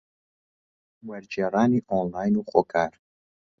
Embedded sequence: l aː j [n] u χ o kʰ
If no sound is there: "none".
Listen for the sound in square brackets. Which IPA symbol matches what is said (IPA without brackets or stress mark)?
n